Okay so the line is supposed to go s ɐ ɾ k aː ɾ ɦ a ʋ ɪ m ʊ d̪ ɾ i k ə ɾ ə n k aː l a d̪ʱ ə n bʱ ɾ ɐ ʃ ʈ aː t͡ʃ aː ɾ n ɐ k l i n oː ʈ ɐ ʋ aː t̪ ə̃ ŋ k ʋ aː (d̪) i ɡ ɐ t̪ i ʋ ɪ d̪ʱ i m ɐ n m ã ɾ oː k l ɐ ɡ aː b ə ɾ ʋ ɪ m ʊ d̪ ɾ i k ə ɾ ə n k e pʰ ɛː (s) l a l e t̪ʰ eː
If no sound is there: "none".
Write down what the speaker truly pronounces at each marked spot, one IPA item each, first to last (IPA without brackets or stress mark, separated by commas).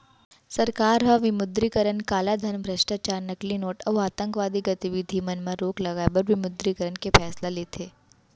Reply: d̪, s